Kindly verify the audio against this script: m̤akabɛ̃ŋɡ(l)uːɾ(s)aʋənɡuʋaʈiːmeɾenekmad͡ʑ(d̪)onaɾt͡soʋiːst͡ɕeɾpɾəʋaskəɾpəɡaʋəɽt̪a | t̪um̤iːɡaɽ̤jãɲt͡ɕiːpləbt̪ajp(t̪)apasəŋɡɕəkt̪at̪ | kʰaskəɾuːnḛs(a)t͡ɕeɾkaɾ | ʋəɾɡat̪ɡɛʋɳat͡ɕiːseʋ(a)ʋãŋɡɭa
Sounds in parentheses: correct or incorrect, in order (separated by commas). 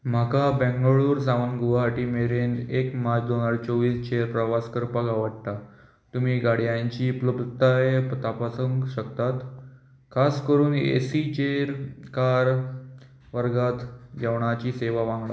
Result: incorrect, correct, correct, correct, incorrect, correct